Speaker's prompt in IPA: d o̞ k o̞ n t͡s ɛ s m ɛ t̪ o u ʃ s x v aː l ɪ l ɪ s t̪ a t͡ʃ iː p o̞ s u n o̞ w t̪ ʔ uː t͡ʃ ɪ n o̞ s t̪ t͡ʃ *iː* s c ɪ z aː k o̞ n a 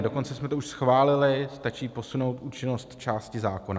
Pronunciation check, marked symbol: incorrect: aː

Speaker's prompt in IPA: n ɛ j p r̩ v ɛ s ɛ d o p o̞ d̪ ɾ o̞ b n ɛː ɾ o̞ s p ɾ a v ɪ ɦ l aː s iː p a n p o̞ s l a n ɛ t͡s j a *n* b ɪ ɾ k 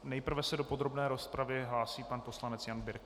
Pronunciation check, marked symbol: correct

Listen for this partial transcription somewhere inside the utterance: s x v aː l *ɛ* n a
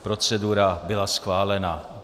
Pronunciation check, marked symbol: correct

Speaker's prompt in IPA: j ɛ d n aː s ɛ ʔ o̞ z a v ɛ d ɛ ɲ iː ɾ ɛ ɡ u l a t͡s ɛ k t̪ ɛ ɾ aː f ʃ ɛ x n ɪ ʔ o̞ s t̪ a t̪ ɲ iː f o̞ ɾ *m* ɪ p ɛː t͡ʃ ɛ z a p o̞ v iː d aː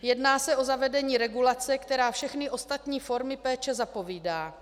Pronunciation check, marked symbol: correct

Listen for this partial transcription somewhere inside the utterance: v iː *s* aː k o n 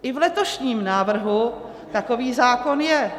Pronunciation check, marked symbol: incorrect: z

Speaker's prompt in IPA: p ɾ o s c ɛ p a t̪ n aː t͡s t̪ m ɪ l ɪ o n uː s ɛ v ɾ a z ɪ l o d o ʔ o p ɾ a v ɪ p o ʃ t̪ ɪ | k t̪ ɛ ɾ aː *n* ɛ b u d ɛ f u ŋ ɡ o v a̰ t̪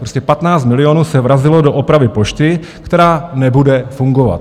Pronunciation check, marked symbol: correct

